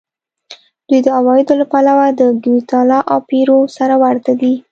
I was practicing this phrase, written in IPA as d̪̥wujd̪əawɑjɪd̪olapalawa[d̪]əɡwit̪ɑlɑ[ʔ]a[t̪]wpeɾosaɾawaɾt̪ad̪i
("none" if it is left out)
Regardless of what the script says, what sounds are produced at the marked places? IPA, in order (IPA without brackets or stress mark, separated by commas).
d̪, ʔ, none